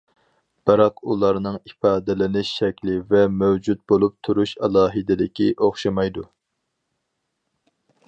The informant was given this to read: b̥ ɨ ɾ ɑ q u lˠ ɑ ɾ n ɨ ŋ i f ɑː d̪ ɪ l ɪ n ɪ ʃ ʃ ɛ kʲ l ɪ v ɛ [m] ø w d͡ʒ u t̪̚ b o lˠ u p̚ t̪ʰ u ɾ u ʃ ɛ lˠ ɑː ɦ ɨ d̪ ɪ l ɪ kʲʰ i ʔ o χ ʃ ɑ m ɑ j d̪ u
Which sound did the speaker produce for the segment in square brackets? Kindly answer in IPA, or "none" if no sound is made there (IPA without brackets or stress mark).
m